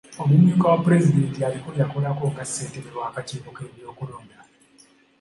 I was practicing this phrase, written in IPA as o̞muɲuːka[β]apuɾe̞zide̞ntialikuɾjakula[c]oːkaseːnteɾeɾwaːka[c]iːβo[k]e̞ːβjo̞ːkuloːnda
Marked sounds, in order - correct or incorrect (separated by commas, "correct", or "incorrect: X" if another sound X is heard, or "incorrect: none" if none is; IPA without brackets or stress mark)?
incorrect: w, incorrect: k, correct, correct